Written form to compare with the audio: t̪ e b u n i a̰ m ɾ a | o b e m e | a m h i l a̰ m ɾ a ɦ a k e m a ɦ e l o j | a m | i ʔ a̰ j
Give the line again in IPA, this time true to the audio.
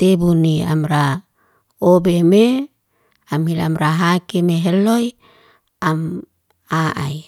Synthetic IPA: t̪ e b u n i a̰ m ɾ a | o b e m e | a m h i l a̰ m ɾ a ɦ a k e m e ɦ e l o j | a m | a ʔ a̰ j